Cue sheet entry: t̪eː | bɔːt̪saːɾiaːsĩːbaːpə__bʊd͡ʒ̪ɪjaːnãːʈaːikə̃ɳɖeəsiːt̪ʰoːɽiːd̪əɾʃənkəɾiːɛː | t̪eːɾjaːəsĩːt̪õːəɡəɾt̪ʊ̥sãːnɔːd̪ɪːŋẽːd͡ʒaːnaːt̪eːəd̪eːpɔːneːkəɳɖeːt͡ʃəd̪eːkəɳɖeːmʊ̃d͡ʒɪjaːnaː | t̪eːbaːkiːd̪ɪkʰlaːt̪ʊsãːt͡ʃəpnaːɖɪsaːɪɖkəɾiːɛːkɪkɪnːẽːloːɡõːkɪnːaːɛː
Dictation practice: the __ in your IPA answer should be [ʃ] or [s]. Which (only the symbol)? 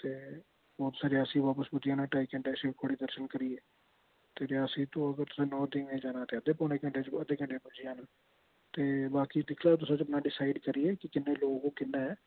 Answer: s